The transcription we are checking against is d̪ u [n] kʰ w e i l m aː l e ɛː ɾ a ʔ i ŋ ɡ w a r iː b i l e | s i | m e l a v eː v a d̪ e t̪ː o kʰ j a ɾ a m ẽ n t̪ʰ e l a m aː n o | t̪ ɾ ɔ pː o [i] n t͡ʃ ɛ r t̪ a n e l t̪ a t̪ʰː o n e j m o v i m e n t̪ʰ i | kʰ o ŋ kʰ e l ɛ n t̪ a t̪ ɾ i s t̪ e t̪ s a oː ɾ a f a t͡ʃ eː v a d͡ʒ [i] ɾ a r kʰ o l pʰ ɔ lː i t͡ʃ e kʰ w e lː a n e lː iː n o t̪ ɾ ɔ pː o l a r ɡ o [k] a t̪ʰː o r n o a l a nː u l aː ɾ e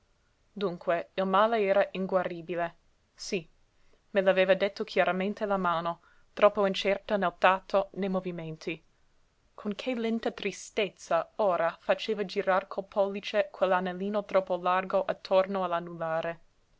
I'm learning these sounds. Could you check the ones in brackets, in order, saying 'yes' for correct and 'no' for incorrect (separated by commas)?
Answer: no, yes, yes, no